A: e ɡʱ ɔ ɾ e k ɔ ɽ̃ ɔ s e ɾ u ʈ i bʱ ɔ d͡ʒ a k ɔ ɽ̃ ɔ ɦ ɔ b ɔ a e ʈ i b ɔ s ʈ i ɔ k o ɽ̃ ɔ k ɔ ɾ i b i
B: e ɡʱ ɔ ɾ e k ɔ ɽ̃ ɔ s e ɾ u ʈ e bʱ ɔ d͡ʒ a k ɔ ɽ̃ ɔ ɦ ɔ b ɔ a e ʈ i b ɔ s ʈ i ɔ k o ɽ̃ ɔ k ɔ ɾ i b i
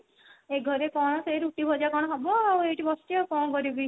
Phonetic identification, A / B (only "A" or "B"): A